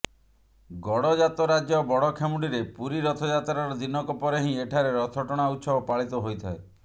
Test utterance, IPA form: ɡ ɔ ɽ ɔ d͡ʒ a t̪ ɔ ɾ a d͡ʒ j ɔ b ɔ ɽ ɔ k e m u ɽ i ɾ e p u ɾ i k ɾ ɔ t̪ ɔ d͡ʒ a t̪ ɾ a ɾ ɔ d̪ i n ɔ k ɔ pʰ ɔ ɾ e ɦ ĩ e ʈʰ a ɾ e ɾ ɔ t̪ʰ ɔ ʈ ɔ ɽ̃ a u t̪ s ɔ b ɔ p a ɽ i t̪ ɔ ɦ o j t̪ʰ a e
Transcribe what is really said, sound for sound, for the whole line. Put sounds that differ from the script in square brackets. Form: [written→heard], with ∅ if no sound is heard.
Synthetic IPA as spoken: ɡ ɔ ɽ ɔ d͡ʒ a t̪ ɔ ɾ a d͡ʒ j ɔ b ɔ ɽ ɔ [k→kʰ] e m u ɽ i ɾ e p u ɾ i [k→∅] ɾ ɔ [t̪→t̪ʰ] ɔ d͡ʒ a t̪ ɾ a ɾ ɔ d̪ i n ɔ k ɔ [pʰ→p] ɔ ɾ e ɦ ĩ e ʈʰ a ɾ e ɾ ɔ t̪ʰ ɔ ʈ ɔ ɽ̃ a u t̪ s ɔ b ɔ p a [ɽ→ɭ] i t̪ ɔ ɦ o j t̪ʰ a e